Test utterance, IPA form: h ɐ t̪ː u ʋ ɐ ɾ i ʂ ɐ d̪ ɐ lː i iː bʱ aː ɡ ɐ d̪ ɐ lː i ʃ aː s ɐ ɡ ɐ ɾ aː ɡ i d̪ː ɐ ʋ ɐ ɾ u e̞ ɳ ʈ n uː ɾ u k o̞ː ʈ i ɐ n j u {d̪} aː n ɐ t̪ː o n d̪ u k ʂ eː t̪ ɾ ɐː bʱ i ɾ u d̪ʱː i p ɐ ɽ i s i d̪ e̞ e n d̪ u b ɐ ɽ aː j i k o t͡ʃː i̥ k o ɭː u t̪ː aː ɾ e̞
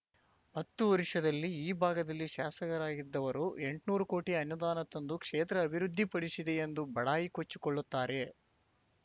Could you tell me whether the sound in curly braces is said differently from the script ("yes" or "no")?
no